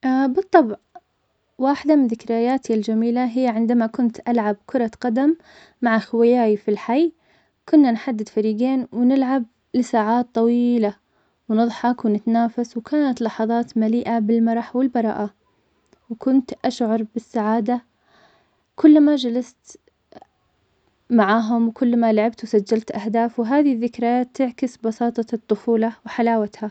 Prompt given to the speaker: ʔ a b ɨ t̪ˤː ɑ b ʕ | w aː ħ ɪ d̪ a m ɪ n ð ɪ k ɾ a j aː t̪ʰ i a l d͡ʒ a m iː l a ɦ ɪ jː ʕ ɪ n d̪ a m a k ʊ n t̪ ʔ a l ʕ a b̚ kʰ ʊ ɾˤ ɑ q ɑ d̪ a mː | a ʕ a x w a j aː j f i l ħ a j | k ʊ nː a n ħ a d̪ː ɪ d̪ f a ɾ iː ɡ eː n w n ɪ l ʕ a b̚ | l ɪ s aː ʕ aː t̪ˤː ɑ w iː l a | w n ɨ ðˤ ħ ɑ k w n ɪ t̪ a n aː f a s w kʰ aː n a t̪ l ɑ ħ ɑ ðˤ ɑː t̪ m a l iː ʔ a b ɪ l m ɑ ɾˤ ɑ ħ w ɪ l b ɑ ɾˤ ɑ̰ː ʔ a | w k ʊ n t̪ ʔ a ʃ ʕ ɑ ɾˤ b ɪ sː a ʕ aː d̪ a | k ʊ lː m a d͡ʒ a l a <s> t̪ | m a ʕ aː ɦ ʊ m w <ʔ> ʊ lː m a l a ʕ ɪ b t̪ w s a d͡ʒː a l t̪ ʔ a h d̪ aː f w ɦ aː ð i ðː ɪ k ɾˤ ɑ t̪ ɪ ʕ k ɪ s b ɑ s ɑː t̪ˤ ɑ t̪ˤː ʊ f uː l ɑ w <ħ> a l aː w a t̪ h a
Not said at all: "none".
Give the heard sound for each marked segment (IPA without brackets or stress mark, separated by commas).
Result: s, k, ħ